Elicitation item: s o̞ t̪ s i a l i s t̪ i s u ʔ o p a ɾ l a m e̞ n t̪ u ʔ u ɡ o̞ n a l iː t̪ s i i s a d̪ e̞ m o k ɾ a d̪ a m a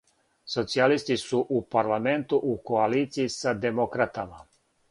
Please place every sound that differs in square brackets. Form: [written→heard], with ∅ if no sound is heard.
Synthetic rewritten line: s o̞ t̪ s i a l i s t̪ i s u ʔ [o→u] p a ɾ l a m e̞ n t̪ u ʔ u [ɡ→k] o̞ [n→∅] a l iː t̪ s i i s a d̪ e̞ m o k ɾ a [d̪→t̪] a m a